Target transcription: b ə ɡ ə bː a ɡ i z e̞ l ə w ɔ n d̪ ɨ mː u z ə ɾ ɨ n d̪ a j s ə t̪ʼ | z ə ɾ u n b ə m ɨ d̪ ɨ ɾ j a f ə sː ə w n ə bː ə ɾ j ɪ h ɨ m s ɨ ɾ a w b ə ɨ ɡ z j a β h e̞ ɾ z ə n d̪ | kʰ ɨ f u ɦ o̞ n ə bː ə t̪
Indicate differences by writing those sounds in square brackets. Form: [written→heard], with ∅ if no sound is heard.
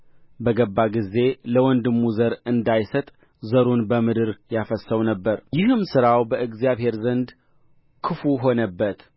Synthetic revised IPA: b ə ɡ ə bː a ɡ i z e̞ l ə w ɔ n d̪ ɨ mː u z ə ɾ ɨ n d̪ a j s ə t̪ʼ | z ə ɾ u n b ə m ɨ d̪ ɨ ɾ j a f ə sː ə w n ə bː ə ɾ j ɪ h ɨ m s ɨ ɾ a w b ə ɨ ɡ z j a β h e̞ ɾ z ə n d̪ | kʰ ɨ f u ɦ o̞ n ə bː ə t̪